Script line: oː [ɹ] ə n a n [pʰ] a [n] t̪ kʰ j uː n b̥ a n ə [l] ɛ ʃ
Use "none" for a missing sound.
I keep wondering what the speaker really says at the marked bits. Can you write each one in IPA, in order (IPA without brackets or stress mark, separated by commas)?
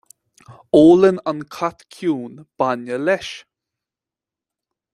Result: l, kʰ, none, l